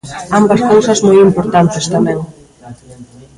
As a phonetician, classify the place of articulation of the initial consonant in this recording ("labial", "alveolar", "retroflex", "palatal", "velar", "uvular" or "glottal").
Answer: labial